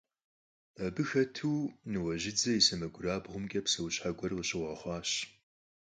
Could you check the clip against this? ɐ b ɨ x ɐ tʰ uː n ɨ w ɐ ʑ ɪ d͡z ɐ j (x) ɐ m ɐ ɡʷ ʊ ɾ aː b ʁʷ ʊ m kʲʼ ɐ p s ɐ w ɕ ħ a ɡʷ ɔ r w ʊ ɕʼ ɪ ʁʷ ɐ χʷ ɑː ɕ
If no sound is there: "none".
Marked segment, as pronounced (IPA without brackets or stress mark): s